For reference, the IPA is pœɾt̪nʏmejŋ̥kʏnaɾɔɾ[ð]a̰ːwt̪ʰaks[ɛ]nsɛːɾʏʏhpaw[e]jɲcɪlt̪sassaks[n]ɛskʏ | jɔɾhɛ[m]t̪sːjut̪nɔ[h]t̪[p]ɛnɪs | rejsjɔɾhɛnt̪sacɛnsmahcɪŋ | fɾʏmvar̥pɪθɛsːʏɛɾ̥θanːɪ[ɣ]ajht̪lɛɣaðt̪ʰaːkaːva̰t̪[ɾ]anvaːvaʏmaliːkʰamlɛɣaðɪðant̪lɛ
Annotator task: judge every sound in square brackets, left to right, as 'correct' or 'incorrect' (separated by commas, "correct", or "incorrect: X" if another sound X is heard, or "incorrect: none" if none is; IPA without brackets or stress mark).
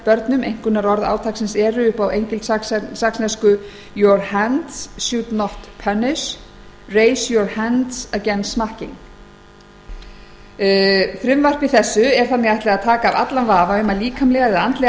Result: correct, correct, correct, correct, incorrect: n, correct, incorrect: pʰ, correct, incorrect: l